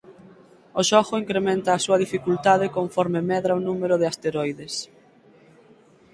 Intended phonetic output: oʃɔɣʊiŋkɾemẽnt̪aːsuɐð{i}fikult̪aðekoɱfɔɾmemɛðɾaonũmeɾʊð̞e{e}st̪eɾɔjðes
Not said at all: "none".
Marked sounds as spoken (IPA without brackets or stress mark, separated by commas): i, a